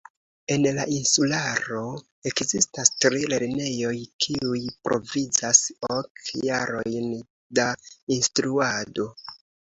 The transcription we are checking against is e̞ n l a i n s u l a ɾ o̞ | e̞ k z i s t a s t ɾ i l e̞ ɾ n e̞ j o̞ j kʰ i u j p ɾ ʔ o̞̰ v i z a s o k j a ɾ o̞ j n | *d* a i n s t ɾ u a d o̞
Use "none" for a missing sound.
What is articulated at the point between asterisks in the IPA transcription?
d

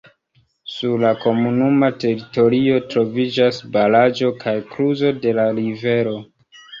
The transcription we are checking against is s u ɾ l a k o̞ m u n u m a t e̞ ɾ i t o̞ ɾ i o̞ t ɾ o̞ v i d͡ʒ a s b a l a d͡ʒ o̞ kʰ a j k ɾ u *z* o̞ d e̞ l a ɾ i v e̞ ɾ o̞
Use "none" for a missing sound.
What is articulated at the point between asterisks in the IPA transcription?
z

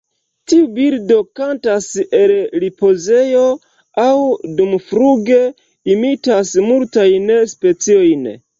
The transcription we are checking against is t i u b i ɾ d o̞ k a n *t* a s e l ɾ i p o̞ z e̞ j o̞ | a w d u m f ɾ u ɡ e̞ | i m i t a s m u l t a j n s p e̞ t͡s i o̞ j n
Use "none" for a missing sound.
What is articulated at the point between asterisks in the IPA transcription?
t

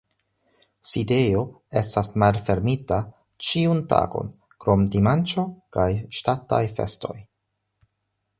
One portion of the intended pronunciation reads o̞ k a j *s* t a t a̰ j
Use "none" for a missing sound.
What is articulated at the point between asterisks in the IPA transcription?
ʃ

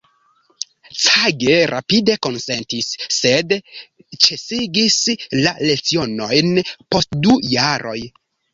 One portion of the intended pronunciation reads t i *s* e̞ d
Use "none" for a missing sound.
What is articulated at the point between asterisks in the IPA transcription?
sː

